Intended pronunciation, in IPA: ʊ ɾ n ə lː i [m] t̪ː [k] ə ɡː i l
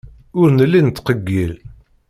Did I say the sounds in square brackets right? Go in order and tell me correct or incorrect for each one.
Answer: incorrect: n, incorrect: q

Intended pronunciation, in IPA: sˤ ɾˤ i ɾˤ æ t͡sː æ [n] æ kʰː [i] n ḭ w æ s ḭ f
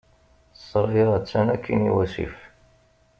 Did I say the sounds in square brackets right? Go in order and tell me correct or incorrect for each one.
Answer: correct, correct

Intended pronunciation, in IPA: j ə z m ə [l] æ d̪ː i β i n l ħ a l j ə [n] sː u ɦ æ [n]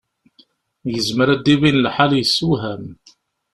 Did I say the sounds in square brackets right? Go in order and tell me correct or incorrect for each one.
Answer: incorrect: ɾ, incorrect: none, incorrect: m

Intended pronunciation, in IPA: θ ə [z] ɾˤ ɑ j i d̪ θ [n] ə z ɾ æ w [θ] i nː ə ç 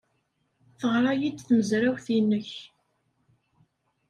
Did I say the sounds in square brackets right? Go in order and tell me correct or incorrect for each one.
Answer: incorrect: ʁ, incorrect: m, correct

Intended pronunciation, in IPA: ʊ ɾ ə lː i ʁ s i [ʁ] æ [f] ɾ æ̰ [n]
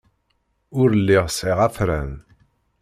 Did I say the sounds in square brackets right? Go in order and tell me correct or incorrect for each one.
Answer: correct, correct, correct

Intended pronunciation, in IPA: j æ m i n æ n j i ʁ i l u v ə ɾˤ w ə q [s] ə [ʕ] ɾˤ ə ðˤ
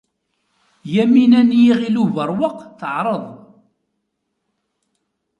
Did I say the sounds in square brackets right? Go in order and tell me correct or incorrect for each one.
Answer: incorrect: θ, correct

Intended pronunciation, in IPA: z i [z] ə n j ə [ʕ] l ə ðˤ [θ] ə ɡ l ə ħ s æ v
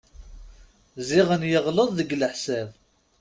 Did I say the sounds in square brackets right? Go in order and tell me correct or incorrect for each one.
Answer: incorrect: ʁ, incorrect: ʁ, incorrect: ð

